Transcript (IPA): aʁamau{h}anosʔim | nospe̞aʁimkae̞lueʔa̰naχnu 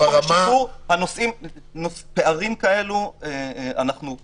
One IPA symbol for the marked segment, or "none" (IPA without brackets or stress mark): h